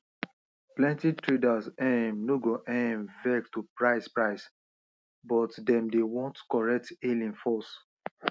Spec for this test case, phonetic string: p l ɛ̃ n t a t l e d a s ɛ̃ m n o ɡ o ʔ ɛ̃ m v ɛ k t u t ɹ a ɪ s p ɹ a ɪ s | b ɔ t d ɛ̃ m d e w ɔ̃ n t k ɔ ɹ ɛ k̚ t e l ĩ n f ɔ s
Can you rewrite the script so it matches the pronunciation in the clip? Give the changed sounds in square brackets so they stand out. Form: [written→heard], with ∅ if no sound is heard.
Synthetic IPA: p l ɛ̃ n t [a→i] t [l→ɹ] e d a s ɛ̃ m n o ɡ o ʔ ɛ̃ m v ɛ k t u [t→p] ɹ a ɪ s p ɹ a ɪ s | b ɔ t d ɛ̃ m d e w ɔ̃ n t k ɔ ɹ ɛ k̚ t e l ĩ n f ɔ s